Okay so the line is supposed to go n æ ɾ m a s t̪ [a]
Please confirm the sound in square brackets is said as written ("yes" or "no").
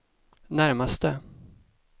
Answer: no